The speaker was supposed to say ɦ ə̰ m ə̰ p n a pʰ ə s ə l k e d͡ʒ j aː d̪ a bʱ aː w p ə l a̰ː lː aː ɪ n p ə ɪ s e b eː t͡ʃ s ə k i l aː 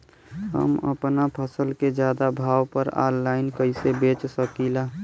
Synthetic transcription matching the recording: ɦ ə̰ m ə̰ p n a pʰ ə s ə l k e d͡ʒ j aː d̪ a bʱ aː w p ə ɾ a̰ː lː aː ɪ n k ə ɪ s e b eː t͡ʃ s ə k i l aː